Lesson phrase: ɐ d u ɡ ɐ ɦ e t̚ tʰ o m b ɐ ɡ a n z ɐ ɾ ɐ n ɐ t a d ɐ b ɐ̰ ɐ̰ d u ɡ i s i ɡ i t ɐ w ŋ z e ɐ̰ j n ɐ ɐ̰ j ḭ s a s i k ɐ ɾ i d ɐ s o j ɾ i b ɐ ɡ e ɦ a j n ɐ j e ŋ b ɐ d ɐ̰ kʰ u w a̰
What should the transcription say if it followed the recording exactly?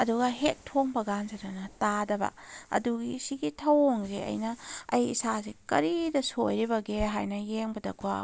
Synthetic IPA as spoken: ɐ d u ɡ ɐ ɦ e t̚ tʰ o ŋ b ɐ ɡ a n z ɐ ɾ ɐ n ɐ t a d ɐ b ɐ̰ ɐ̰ d u ɡ i s i ɡ i tʰ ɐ w ŋ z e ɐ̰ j n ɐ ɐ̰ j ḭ s a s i k ɐ ɾ i d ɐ s o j ɾ i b ɐ ɡ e ɦ a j n ɐ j e ŋ b ɐ d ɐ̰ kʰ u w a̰